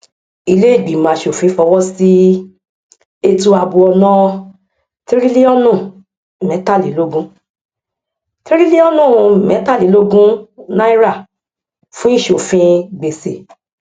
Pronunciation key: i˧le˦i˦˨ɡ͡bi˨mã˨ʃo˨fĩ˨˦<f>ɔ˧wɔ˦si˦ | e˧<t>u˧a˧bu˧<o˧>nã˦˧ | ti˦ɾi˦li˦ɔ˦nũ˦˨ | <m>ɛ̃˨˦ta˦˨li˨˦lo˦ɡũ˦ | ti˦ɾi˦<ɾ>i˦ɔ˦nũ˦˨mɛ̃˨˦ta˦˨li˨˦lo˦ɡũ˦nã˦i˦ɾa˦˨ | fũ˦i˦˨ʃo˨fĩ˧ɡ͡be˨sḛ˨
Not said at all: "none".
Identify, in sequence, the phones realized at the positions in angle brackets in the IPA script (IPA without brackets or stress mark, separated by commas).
f, t, ɔ˧, m, l